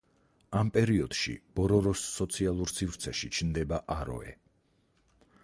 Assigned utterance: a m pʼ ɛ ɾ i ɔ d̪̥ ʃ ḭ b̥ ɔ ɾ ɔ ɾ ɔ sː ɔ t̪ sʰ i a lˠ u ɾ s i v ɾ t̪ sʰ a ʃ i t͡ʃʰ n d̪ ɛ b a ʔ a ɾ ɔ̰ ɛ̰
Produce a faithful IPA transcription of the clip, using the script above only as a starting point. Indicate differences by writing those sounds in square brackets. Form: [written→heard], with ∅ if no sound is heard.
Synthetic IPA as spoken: a m pʼ ɛ ɾ i ɔ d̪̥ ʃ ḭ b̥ ɔ ɾ ɔ ɾ ɔ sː ɔ t̪ sʰ i a lˠ u ɾ s i v ɾ t̪ sʰ [a→ɛ] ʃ i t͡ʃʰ n d̪ ɛ b a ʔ a ɾ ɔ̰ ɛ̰